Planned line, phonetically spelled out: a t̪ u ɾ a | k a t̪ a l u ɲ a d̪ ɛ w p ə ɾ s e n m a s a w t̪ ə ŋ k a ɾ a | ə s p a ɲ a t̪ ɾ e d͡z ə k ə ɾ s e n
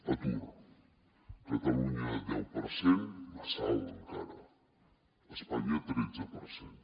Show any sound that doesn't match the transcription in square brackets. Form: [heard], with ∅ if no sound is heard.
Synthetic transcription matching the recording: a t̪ u ɾ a | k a t̪ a l u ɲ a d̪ ɛ w p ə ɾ s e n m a s a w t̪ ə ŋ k a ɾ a | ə s p a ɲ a t̪ ɾ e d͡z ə [p] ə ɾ s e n

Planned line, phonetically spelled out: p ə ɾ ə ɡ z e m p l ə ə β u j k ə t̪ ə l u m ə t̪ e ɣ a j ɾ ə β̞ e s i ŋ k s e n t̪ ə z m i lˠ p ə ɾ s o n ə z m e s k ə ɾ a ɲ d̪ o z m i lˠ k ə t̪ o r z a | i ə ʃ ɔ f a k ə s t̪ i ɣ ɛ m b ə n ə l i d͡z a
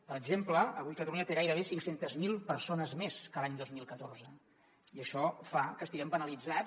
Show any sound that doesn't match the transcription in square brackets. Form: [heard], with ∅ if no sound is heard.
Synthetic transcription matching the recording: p ə ɾ ə ɡ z e m p l ə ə β u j k ə t̪ ə l u [ɲ] ə t̪ e ɣ a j ɾ ə β̞ e s i ŋ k s e n t̪ ə z m i lˠ p ə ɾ s o n ə z m e s k ə [l] a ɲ d̪ o z m i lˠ k ə t̪ o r z [ə] | i ə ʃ ɔ f a k ə s t̪ i ɣ ɛ m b ə n ə l i d͡z a

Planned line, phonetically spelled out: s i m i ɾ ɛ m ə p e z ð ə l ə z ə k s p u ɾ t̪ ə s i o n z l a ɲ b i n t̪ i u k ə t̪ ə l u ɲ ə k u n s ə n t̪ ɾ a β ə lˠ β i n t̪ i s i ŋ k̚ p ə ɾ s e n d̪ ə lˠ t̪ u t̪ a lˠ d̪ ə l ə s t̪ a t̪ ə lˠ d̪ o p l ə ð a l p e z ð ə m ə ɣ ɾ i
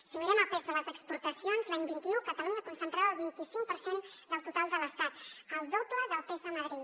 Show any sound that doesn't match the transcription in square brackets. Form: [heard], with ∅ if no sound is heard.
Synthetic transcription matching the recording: s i m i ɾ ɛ m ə p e z ð ə l ə z ə k s p u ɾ t̪ ə s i o n z l a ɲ b i n t̪ i u k ə t̪ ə l u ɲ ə k u n s ə n t̪ ɾ a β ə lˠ β i n t̪ i s i ŋ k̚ p ə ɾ s e n d̪ ə lˠ t̪ u t̪ a lˠ d̪ ə l ə s t̪ a t̪ ə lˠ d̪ o p l ə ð [ə] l p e z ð ə m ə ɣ ɾ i

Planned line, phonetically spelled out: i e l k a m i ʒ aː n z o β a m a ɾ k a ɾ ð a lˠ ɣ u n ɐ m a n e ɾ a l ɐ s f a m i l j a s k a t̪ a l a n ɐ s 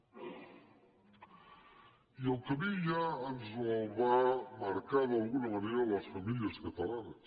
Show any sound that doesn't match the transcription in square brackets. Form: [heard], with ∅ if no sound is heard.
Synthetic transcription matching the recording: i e l k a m i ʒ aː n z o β a m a ɾ k a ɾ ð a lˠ ɣ u n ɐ m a n e ɾ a l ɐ s f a m i l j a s k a t̪ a l a n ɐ s

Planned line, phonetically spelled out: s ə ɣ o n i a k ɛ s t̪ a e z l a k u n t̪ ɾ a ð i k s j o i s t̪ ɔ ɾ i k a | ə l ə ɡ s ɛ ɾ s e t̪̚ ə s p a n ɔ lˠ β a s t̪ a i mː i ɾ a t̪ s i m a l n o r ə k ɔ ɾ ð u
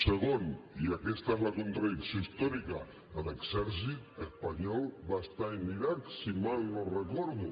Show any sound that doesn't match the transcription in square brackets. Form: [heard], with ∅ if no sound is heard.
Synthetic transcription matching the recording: s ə ɣ o n i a k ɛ s t̪ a e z l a k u n t̪ ɾ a ð i k s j o i s t̪ ɔ ɾ i k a | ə l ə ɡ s ɛ ɾ s [i] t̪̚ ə s p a [ɲ] ɔ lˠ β a s t̪ a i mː i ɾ a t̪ s i m a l n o r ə k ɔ ɾ ð u

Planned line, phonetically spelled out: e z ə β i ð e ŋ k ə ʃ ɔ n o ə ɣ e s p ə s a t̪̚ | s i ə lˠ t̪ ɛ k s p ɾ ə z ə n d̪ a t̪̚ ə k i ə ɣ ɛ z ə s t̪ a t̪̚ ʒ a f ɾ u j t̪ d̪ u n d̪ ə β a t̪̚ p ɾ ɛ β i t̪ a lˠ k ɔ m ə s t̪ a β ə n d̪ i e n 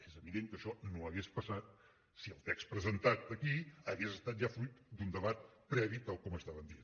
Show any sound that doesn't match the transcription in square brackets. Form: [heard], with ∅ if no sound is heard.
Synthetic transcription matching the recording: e z ə β i ð e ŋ k ə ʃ ɔ n o ə ɣ e s p ə s a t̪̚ | s i ə lˠ t̪ ɛ k s p ɾ ə z ə n [t̪] a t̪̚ ə k i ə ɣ [e] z ə s t̪ a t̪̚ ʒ a f ɾ u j t̪ d̪ u n d̪ ə β a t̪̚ p ɾ ɛ β i t̪ a lˠ k ɔ m ə s t̪ a β ə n d̪ i e n

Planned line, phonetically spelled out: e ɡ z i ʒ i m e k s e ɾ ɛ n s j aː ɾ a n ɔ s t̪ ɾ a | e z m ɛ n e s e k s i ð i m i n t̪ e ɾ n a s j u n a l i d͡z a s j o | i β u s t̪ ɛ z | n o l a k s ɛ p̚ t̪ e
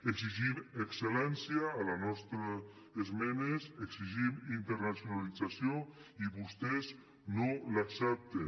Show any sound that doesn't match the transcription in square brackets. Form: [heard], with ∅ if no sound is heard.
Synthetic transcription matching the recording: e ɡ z i ʒ i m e k s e [l] ɛ n s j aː [l] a n ɔ s t̪ ɾ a | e z m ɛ n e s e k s i [ʒ] i m i n t̪ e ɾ n a s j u n a l i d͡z a s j o | i β u s t̪ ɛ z | n o l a k s ɛ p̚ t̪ e

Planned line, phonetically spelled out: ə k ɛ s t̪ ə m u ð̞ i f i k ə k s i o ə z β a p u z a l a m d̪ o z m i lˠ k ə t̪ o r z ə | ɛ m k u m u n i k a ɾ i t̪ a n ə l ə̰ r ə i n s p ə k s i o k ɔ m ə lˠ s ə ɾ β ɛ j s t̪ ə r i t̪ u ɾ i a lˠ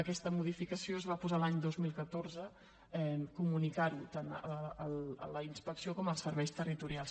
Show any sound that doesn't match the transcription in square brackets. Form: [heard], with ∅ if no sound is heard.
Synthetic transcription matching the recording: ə k ɛ s t̪ ə m u ð̞ i f i k ə [∅] s i o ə z β a p u z a l a [ɲ] d̪ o z m i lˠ k ə t̪ o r z ə | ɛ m k u m u n i k a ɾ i t̪ a n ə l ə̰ [l] ə i n s p ə k s i o k ɔ m ə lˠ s ə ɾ β ɛ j s t̪ ə r i t̪ u ɾ i a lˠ

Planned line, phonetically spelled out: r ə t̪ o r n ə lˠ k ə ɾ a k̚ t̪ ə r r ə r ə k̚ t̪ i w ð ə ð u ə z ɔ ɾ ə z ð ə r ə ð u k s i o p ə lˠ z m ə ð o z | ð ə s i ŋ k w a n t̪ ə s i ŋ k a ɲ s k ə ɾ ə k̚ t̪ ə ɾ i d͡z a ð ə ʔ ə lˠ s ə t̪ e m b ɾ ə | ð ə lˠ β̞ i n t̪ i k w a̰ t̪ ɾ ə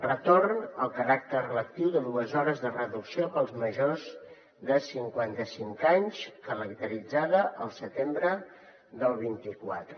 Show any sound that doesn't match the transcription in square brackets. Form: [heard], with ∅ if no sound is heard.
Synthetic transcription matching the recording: r ə t̪ o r n ə lˠ k ə ɾ a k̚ t̪ ə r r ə [l] ə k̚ t̪ i w ð ə ð u ə z ɔ ɾ ə z ð ə r ə ð u k s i o p ə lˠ z m ə [ʒ] o z | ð ə s i ŋ k w a n t̪ ə s i ŋ k a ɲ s k ə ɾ ə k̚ t̪ ə ɾ i d͡z a ð ə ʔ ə lˠ s ə t̪ e m b ɾ ə | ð ə lˠ β̞ i n t̪ i k w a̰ t̪ ɾ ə

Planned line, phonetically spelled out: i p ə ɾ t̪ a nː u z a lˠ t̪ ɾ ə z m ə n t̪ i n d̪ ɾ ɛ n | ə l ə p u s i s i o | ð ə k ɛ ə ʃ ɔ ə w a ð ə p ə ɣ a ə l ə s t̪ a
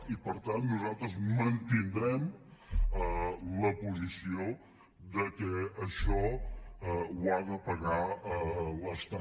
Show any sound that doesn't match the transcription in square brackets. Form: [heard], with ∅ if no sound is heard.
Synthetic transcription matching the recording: i p ə ɾ t̪ a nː u z a lˠ t̪ ɾ ə z m ə n t̪ i n d̪ ɾ ɛ [m] | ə l ə p u [z] i s i o | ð ə k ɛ ə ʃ ɔ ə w a ð ə p ə ɣ a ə l ə s t̪ a

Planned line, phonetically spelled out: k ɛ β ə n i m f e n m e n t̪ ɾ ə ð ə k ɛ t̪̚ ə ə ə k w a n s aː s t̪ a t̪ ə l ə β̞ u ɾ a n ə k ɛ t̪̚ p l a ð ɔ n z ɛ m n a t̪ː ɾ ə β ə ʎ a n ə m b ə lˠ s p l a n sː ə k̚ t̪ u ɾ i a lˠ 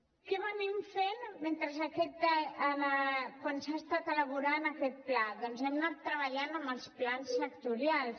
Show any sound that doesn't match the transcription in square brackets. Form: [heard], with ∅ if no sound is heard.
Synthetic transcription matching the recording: k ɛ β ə n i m f e n m e n t̪ ɾ ə [z] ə k ɛ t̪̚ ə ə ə k w a n s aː s t̪ a t̪ ə l ə β̞ u ɾ a n ə k ɛ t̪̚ p l a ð ɔ n z ɛ m n a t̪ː ɾ ə β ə ʎ a n ə m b ə lˠ s p l a n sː ə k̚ t̪ u ɾ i a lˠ

